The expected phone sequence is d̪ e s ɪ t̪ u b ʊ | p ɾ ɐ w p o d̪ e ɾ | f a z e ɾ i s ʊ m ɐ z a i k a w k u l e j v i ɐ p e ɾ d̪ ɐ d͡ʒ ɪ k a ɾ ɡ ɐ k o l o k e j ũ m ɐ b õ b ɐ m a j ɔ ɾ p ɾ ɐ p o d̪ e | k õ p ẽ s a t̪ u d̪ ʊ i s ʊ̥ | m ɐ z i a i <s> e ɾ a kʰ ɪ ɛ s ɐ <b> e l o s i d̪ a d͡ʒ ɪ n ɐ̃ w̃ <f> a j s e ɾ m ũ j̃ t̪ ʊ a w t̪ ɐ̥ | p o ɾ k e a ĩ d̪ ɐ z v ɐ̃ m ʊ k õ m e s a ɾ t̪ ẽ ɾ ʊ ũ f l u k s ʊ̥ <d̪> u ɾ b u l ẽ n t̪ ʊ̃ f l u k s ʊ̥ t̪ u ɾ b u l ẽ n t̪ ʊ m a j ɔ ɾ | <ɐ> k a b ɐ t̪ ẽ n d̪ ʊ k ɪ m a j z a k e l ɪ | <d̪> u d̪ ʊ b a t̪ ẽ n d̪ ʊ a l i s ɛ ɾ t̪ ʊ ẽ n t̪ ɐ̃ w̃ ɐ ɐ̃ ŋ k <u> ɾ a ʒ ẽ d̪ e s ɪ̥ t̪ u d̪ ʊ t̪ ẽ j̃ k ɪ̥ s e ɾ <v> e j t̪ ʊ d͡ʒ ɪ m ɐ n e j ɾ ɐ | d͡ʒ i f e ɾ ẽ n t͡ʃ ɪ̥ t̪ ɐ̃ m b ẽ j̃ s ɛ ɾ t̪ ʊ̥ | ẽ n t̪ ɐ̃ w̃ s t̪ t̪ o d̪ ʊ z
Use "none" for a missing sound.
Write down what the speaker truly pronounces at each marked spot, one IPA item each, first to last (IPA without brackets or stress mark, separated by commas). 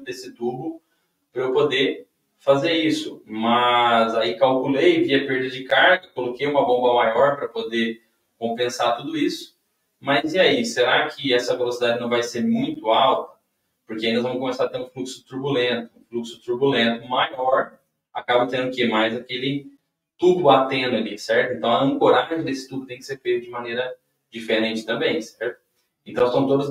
s, v, v, t̪, a, t̪, o, f